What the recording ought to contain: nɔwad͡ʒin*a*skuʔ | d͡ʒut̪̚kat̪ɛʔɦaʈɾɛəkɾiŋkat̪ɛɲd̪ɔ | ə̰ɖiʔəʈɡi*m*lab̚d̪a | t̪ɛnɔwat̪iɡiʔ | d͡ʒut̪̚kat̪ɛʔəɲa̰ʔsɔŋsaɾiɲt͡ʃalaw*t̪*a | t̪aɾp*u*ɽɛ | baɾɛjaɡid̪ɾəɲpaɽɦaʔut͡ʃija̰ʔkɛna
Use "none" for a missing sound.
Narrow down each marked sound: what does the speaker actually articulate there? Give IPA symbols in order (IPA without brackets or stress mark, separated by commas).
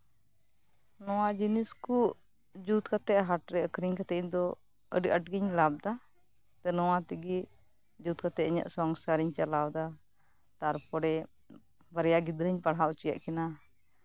i, ɲ, d̪, ɔ